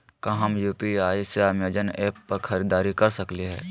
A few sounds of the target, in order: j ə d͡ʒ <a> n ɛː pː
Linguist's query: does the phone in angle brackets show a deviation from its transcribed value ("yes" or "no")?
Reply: yes